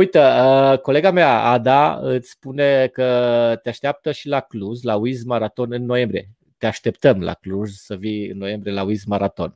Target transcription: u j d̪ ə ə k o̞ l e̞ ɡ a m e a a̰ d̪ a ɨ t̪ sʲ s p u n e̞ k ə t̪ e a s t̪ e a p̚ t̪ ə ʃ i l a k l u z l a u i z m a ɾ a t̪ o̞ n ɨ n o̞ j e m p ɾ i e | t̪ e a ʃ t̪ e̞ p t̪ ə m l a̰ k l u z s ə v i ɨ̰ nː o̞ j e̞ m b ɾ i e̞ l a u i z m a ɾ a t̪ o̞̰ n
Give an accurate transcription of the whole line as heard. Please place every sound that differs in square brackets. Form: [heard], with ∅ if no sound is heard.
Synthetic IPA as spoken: u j [t̪] ə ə k o̞ l e̞ ɡ a m e a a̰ d̪ a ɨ t̪ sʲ s p u n e̞ k ə t̪ e a [ʃ] t̪ e a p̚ t̪ ə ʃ i l a k l u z l a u i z m a ɾ a t̪ o̞ n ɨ [nː] o̞ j e m [b] ɾ i e | t̪ e a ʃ t̪ e̞ p t̪ ə m l a̰ k l u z s ə v i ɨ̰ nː o̞ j e̞ m b ɾ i e̞ l a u i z m a ɾ a t̪ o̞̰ n